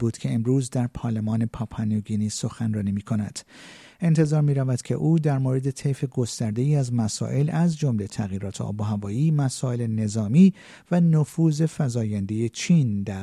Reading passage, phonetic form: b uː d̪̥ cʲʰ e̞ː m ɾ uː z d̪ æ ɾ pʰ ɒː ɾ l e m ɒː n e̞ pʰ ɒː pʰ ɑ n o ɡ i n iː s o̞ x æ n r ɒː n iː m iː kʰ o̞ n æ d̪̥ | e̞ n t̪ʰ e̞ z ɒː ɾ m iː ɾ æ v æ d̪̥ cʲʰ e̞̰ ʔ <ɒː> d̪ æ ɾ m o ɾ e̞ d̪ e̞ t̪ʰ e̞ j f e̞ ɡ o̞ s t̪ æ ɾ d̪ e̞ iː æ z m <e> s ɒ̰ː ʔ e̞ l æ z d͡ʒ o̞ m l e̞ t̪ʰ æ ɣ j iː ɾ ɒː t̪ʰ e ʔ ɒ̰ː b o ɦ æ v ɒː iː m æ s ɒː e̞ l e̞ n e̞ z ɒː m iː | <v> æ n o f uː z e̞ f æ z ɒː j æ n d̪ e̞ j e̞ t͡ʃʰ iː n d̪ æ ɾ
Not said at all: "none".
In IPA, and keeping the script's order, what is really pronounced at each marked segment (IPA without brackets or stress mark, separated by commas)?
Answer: uː, æ, v